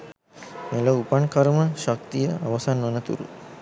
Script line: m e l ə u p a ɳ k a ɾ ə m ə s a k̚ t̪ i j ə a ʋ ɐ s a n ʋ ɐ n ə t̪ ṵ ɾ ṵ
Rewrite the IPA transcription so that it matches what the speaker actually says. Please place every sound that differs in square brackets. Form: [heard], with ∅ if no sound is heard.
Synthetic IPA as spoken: m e l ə u p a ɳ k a ɾ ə m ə [ʃ] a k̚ t̪ i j ə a ʋ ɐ s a n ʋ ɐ n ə t̪ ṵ ɾ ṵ